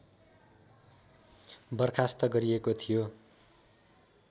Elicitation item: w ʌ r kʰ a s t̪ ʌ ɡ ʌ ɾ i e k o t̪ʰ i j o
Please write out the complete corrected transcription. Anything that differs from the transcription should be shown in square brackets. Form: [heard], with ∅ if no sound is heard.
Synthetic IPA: [b] ʌ r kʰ a s t̪ ʌ ɡ ʌ ɾ i e k o t̪ʰ i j o